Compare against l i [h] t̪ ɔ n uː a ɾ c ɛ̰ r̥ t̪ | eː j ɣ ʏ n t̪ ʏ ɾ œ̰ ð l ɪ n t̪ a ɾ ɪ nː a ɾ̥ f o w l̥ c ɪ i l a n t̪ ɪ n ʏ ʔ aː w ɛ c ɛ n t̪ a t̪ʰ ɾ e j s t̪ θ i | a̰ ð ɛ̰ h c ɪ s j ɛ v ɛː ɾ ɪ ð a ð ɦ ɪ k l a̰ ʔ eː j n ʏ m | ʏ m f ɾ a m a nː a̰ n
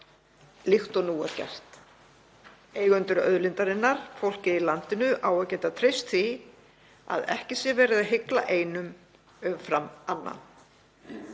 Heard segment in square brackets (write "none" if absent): x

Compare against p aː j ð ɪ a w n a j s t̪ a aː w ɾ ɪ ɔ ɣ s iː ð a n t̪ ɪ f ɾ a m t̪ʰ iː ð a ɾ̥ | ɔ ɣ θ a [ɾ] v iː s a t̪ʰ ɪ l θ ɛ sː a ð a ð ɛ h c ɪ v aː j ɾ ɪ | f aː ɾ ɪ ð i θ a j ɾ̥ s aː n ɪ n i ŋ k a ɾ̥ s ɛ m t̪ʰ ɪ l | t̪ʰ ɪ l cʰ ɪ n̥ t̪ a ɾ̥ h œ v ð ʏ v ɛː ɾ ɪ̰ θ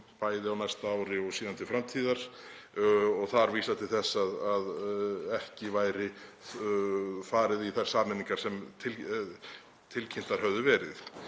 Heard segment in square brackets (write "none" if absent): ɾ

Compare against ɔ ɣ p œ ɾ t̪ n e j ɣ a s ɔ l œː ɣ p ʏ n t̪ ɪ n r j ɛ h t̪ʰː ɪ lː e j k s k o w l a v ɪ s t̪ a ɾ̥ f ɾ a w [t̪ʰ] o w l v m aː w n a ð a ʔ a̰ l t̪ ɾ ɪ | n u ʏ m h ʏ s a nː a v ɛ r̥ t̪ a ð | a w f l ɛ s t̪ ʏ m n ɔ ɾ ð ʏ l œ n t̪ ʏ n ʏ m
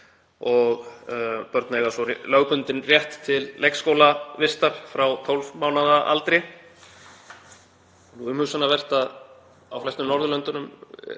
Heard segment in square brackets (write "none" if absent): t̪ʰ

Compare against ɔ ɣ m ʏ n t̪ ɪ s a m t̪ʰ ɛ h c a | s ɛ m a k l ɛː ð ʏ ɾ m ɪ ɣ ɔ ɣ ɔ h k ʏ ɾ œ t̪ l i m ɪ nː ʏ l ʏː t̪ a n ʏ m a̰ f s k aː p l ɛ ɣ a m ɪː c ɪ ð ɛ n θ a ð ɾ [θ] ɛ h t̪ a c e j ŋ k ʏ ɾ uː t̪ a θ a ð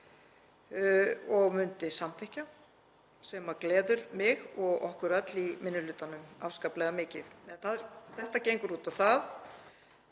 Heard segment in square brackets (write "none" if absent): θ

